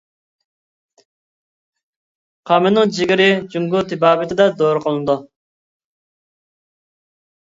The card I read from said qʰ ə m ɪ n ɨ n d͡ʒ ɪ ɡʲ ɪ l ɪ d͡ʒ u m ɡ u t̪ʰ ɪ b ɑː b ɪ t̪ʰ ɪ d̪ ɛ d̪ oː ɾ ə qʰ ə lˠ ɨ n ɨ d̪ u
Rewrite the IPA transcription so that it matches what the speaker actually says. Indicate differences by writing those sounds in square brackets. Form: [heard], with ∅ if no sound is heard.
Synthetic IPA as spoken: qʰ [ɑ] m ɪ n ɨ [ŋ] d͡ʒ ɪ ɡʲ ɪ [ɾ] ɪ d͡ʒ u [ŋ] ɡ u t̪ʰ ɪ b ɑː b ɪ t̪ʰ ɪ d̪ ɛ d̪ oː ɾ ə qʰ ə lˠ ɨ n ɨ d̪ u